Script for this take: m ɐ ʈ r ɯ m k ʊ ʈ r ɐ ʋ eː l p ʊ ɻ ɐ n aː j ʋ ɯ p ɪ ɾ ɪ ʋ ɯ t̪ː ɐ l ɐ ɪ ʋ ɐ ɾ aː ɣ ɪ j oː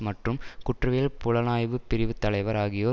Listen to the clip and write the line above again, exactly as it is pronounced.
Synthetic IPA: m ɐ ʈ r ɯ m k ʊ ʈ r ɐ ʋ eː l p ʊ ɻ ɐ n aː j ʋ ɯ p ɪ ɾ ɪ ʋ ɯ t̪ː ɐ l ɐ ɪ ʋ ɐ ɾ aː ɣ ɪ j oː

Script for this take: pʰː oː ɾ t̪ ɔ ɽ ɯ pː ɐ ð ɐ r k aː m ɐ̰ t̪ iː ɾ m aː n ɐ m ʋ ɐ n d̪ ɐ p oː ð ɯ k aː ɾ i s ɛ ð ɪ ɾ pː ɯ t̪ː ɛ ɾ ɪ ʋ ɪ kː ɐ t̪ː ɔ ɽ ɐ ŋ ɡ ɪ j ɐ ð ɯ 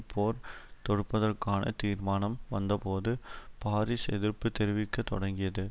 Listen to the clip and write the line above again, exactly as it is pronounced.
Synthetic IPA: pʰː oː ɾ t̪ ɔ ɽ ɯ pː ɐ ð ɐ r k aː n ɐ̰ t̪ iː ɾ m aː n ɐ m ʋ ɐ n d̪ ɐ p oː ð ɯ p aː ɾ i s ɛ ð ɪ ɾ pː ɯ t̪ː ɛ ɾ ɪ ʋ ɪ kː ɐ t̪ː ɔ ɽ ɐ ŋ ɡ ɪ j ɐ ð ɯ

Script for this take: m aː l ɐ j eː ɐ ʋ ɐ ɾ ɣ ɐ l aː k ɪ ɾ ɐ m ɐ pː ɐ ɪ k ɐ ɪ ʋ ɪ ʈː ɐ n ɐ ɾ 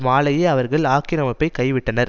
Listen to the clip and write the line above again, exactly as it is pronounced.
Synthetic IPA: m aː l ɐ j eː ɐ ʋ ɐ ɾ ɣ ɐ ɭ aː k ɪ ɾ ɐ m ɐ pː ɐ ɪ k ɐ ɪ ʋ ɪ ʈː ɐ n ɐ ɾ

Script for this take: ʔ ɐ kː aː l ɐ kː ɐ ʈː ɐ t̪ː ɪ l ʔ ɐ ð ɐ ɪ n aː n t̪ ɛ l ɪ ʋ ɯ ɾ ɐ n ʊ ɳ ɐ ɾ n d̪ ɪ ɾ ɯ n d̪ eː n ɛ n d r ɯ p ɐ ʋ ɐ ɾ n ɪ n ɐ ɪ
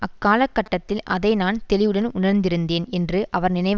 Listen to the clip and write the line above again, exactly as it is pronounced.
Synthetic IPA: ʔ ɐ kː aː l ɐ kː ɐ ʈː ɐ t̪ː ɪ l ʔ ɐ ð ɐ ɪ n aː n t̪ ɛ l ɪ ʋ ɯ ɽ ɐ n ʊ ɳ ɐ ɾ n d̪ ɪ ɾ ɯ n d̪ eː n ɛ n d r ɯ ʔ ɐ ʋ ɐ ɾ n ɪ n ɐ ɪ

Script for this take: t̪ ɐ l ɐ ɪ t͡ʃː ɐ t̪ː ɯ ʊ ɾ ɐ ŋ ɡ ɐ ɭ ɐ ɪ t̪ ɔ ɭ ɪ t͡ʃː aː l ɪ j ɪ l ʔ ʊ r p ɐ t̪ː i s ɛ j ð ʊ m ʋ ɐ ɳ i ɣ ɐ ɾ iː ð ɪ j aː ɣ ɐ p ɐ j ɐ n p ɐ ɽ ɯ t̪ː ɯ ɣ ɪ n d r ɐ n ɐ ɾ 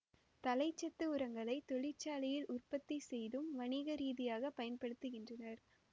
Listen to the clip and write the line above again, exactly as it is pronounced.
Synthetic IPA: t̪ ɐ l ɐ ɪ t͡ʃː ɐ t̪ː ɯ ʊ ɾ ɐ ŋ ɡ ɐ ɭ ɐ ɪ t̪ ɔ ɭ ɪ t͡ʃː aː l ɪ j ɪ l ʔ ʊ r p ɐ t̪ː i s ɛ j ð ɯ m ʋ ɐ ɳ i ɣ ɐ ɾ iː ð ɪ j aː ɣ ɐ p ɐ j ɐ n p ɐ ɽ ɯ t̪ː ɯ ɣ ɪ n d r ɐ n ɐ ɾ

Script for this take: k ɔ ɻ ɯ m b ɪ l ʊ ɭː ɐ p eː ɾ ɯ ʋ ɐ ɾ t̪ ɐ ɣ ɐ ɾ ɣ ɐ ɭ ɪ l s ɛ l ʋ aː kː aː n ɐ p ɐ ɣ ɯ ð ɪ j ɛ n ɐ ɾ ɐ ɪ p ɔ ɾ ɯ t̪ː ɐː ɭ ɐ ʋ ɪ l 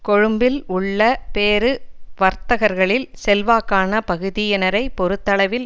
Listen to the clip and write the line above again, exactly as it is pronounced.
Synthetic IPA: k ɔ ɻ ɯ m b ɪ l ʊ ɭː ɐ p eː ɾ ɯ ʋ ɐ ɾ t̪ ɐ ɣ ɐ ɾ ɣ ɐ ɭ ɪ l s ɛ l ʋ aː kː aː n ɐ p ɐ ɣ ɯ ð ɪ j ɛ n ɐ ɾ ɐ ɪ p ɔ ɾ ɯ t̪ː ɐ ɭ ɐ ʋ ɪ l

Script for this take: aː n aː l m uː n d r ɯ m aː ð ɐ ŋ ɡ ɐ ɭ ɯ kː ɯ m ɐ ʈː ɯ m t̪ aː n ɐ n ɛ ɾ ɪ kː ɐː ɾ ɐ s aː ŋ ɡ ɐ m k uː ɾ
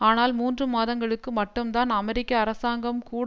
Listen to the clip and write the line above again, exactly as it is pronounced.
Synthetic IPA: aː n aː l m uː n d r ɯ m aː ð ɐ ŋ ɡ ɐ ɭ ɯ kː ɯ m ɐ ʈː ɯ m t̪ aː n ɐ m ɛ ɾ ɪ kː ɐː ɾ ɐ s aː ŋ ɡ ɐ m k uː ɽ

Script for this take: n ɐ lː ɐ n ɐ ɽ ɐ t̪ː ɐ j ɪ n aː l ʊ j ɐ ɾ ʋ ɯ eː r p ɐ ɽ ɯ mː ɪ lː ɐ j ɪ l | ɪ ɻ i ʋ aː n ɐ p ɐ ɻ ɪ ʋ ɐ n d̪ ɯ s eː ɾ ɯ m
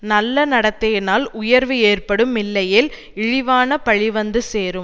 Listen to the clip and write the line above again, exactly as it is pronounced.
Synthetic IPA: n ɐ lː ɐ n ɐ ɽ ɐ t̪ː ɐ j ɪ n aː l ʊ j ɐ ɾ ʋ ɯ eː r p ɐ ɽ ɯ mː ɪ lː ɐ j ɪ l | ɪ ɻ ɪ ʋ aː n ɐ p ɐ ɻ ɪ ʋ ɐ n d̪ ɯ s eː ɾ ɯ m

